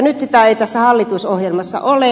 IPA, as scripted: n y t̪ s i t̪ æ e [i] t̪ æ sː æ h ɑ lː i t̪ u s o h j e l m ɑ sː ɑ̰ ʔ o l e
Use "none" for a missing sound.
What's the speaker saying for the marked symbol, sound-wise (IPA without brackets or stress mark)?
i